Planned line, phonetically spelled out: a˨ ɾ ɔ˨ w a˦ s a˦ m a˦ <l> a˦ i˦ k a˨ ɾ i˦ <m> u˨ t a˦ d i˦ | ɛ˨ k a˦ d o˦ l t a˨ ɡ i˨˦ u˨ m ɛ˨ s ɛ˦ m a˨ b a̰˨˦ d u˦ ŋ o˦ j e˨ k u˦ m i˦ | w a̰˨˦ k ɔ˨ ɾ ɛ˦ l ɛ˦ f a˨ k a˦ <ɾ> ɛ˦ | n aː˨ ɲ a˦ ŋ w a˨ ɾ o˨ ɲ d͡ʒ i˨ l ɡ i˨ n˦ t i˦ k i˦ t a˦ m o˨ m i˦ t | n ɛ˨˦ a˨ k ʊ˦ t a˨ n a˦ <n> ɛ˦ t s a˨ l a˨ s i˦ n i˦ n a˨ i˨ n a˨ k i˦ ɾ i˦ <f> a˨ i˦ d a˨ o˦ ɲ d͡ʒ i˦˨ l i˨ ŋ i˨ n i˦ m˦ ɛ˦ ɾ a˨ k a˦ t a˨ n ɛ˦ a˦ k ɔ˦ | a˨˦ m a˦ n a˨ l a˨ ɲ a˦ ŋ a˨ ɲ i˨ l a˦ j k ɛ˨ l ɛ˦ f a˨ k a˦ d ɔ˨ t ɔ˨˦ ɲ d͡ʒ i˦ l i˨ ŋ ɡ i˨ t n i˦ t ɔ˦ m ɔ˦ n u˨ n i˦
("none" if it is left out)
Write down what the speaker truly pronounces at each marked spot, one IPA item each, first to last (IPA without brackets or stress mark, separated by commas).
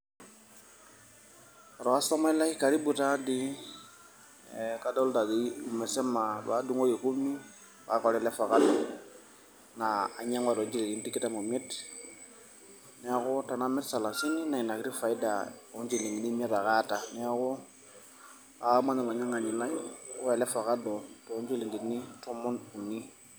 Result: l, b, l, m, f